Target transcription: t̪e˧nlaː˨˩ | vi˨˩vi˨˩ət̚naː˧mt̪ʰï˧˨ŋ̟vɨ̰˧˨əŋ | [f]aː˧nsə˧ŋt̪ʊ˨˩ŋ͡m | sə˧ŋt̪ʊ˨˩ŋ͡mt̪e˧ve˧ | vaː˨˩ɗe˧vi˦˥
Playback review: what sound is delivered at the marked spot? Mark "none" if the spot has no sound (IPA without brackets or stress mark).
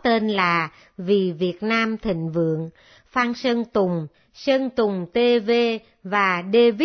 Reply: f